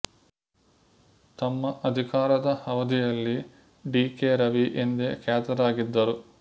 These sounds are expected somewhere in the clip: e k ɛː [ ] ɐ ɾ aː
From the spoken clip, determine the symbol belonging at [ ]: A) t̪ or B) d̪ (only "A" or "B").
A